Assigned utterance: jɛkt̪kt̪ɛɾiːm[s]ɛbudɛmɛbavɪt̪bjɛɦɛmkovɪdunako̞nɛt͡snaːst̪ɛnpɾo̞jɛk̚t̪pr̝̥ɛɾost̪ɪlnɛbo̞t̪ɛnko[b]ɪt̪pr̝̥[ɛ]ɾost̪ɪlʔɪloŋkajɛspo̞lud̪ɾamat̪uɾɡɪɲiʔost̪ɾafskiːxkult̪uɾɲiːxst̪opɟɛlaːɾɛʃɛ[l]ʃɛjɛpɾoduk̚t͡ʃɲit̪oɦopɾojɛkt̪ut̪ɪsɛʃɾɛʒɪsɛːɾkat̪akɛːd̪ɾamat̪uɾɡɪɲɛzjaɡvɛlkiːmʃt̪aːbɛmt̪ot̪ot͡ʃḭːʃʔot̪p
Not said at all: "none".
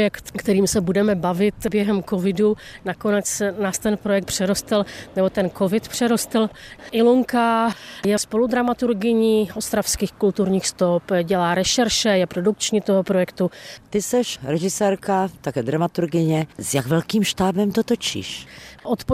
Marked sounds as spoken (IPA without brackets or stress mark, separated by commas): s, v, ɛ, ɾ